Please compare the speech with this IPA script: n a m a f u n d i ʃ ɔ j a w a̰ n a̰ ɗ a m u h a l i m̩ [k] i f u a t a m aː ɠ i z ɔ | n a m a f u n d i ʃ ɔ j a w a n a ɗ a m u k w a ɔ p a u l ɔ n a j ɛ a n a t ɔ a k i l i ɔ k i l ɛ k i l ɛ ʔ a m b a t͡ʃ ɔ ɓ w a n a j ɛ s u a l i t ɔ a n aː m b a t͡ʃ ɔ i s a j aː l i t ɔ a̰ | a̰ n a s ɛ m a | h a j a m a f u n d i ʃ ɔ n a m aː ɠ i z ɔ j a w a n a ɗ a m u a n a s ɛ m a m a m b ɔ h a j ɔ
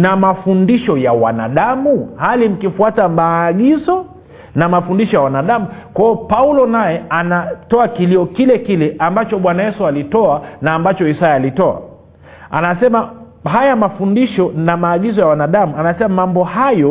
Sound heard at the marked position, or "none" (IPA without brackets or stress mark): k